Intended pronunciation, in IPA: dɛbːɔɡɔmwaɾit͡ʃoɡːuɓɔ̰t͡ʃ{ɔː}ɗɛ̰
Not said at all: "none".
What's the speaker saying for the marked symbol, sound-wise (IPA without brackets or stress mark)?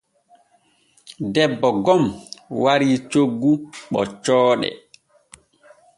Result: ɔː